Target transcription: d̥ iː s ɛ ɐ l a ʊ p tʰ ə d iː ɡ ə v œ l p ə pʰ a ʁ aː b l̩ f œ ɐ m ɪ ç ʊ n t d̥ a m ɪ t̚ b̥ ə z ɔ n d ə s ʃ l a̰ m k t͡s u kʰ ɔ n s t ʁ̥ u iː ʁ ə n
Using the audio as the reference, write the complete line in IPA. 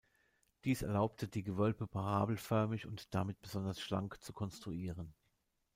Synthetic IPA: d̥ iː s ɛ ɐ l a ʊ p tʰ ə d iː ɡ ə v œ l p ə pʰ a ʁ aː b l̩ f œ ɐ m ɪ ç ʊ n t d̥ a m ɪ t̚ b̥ ə z ɔ n d ɐ s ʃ l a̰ ŋ k t͡s u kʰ ɔ n s t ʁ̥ u iː ʁ ə n